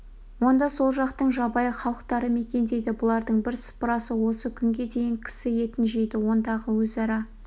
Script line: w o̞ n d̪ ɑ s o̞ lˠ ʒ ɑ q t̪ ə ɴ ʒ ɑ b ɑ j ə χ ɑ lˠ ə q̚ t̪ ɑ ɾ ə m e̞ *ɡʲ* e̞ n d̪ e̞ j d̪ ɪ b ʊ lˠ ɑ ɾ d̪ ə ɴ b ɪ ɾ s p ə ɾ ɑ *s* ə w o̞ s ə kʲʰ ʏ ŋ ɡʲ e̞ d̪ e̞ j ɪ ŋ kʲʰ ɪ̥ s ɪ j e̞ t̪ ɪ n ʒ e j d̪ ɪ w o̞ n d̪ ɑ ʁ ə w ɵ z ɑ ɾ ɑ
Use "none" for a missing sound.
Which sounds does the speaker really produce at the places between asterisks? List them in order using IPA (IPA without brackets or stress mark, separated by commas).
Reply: kʲ, s